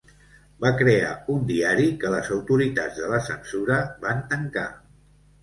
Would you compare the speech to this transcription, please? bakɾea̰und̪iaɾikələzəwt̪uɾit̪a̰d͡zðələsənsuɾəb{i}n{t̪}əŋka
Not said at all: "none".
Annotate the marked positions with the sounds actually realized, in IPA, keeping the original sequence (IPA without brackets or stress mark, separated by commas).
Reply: a, t̪